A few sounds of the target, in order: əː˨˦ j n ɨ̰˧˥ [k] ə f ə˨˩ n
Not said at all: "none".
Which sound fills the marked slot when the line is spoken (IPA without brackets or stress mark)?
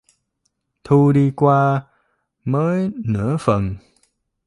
none